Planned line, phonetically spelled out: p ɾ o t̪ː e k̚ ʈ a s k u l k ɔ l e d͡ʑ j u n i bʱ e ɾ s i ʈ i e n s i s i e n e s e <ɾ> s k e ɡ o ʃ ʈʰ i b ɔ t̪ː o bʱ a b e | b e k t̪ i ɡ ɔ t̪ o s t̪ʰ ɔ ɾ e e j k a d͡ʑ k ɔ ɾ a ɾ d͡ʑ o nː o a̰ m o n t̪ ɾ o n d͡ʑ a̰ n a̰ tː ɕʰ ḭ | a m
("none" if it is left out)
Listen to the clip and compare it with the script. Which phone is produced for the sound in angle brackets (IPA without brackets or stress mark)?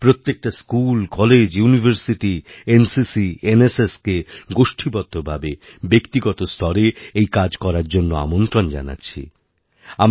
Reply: none